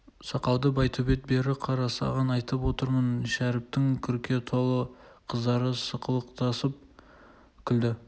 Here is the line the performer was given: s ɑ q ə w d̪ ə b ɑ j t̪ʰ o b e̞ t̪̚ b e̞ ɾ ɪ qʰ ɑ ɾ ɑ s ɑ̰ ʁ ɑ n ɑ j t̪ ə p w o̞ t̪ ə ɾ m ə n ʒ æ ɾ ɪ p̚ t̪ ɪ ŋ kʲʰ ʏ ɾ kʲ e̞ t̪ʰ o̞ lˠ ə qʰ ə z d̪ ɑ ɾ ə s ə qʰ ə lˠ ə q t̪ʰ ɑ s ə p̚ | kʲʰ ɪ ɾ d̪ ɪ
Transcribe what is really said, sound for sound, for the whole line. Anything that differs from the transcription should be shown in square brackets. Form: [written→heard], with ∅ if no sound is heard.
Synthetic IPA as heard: s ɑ q [ə→ɑ] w d̪ ə b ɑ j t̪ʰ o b e̞ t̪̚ b e̞ ɾ ɪ qʰ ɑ ɾ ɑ s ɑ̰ ʁ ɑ n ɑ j t̪ ə p w o̞ t̪ ə ɾ m ə n [ʒ→ʃ] æ ɾ ɪ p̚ t̪ ɪ ŋ kʲʰ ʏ ɾ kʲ e̞ t̪ʰ o̞ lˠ ə qʰ ə z d̪ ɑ ɾ ə s ə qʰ ə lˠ ə q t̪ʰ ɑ s ə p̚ | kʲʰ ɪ [ɾ→l] d̪ ɪ